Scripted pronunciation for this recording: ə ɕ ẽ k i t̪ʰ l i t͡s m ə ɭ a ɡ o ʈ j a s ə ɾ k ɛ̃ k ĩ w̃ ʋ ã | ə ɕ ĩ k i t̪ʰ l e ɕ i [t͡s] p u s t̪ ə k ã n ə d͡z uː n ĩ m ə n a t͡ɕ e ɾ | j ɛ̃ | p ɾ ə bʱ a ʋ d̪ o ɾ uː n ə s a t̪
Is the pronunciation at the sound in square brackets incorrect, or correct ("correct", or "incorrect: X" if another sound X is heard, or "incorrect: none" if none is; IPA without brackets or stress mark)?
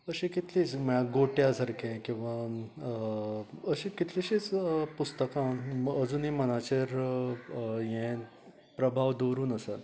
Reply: correct